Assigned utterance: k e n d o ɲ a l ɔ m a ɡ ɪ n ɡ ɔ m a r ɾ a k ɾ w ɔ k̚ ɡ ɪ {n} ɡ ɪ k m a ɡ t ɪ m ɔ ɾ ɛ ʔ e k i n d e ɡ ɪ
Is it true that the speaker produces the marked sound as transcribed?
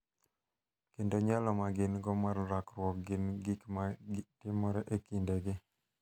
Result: yes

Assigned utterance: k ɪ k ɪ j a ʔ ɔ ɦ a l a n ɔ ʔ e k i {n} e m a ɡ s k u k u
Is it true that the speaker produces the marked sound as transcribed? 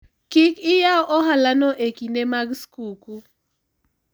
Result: yes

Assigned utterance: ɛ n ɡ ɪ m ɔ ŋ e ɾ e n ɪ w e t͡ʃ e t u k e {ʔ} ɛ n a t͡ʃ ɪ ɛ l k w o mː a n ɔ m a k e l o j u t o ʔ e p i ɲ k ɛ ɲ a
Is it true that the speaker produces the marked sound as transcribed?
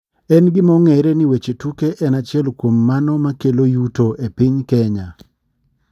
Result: yes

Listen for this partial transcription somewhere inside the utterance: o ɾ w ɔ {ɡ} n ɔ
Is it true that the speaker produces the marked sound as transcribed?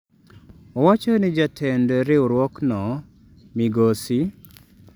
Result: no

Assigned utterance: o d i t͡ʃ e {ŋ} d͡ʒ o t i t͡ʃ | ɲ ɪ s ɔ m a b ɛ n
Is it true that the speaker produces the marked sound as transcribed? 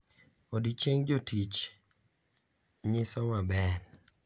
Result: yes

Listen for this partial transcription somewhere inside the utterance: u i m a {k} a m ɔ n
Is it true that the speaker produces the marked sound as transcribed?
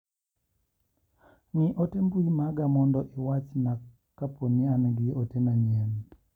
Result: no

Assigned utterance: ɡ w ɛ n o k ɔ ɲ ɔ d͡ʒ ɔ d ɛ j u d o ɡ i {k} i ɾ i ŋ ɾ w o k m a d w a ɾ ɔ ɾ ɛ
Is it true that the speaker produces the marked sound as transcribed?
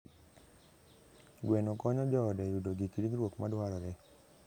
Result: yes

